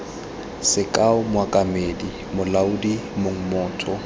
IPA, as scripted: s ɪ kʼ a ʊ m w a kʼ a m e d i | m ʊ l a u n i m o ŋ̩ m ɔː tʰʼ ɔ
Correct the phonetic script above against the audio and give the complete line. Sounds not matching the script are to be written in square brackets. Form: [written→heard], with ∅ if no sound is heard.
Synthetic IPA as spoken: s ɪ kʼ a ʊ m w a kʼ a m e d i | m ʊ l a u [n→d] i m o ŋ̩ m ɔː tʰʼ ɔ